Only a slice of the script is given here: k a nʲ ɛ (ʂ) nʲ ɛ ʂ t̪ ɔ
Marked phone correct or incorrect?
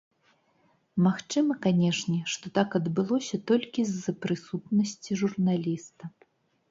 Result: correct